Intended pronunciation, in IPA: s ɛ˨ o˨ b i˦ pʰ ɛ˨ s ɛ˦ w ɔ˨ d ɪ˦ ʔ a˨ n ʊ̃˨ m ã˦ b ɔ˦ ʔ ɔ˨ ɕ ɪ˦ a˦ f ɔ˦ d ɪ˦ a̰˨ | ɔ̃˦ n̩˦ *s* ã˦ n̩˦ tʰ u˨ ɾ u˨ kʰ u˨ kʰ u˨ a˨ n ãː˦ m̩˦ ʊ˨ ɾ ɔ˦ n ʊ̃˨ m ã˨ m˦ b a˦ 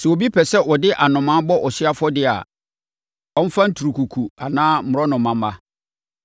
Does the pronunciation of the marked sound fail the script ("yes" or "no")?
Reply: yes